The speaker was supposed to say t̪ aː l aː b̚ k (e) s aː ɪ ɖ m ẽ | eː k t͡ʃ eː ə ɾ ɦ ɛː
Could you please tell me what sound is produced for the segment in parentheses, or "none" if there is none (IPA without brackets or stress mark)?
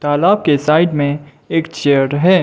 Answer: e